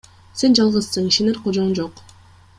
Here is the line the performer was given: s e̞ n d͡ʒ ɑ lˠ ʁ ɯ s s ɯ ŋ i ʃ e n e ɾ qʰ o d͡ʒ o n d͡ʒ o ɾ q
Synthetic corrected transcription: s e̞ n d͡ʒ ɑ lˠ ʁ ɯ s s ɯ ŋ i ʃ e n e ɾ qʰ o d͡ʒ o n d͡ʒ o q

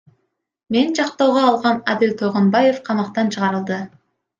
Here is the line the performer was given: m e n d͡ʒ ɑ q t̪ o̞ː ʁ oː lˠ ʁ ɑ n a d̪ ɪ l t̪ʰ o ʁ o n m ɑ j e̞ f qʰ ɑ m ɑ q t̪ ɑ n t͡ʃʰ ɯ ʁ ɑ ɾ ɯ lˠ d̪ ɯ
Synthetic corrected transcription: m e n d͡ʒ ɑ q t̪ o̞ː ʁ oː lˠ ʁ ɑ n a d̪ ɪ l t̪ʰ o ʁ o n b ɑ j e̞ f qʰ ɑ m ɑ q t̪ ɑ n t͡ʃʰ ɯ ʁ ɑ ɾ ɯ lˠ d̪ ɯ

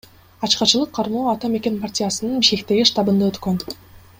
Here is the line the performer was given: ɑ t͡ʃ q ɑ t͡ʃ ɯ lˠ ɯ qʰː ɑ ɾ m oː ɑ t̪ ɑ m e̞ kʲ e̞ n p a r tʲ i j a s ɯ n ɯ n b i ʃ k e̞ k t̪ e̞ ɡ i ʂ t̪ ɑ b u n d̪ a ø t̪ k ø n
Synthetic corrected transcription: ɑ t͡ʃ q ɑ t͡ʃ ɯ lˠ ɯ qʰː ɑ ɾ m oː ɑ t̪ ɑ m e̞ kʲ e̞ n p a r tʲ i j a s ɯ n ɯ n b i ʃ k e̞ k t̪ e̞ ɡ i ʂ t̪ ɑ b ɯ n d̪ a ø t̪ k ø n

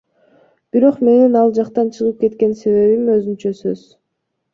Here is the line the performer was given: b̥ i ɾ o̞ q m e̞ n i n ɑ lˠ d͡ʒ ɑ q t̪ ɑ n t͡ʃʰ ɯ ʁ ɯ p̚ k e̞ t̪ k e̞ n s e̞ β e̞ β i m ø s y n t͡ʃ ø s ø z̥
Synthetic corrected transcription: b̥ i ɾ o̞ q m e̞ n i n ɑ lˠ d͡ʒ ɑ q t̪ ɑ n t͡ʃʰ ɯ ʁ ɯ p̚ k e̞ t̪ k e̞ n s e̞ β e̞ β i m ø z y n t͡ʃ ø s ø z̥

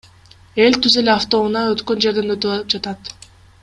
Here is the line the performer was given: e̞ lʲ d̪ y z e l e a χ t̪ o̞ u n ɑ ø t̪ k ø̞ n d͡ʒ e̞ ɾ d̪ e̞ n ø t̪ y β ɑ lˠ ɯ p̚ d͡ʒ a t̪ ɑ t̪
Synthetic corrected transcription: e̞ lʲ t̪ y z e l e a f t̪ o̞ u n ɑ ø t̪ k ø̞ n d͡ʒ e̞ ɾ d̪ e̞ n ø t̪ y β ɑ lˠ ɯ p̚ d͡ʒ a t̪ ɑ t̪

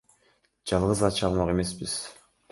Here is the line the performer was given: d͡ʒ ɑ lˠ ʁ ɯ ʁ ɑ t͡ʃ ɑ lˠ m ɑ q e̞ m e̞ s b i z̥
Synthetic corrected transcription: d͡ʒ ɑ lˠ ʁ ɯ z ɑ t͡ʃ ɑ lˠ m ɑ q e̞ m e̞ s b i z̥

